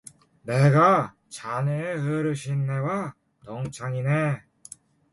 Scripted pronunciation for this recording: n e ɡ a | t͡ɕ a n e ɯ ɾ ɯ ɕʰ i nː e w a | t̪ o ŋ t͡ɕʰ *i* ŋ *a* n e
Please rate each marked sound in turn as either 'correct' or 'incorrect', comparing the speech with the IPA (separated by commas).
incorrect, incorrect